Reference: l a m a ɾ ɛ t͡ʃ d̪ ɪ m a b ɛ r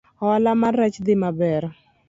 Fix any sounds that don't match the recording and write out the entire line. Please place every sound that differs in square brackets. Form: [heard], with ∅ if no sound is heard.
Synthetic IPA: l a m a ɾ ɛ t͡ʃ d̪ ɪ m a b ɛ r